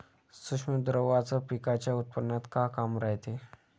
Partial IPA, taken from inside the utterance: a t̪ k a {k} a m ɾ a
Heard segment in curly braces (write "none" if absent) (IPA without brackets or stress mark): k